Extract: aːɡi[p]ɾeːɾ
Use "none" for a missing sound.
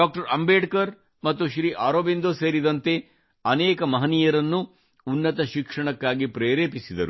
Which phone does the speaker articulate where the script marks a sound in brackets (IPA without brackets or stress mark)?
p